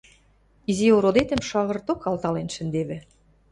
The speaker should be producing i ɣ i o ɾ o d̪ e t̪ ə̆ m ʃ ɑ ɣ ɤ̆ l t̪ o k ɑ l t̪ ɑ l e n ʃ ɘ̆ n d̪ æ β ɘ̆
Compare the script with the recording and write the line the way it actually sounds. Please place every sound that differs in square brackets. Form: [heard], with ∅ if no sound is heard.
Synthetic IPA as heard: i [z] i o ɾ o d̪ e t̪ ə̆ m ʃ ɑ ɣ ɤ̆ [r] t̪ o k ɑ l t̪ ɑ l e n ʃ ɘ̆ n d̪ [e] β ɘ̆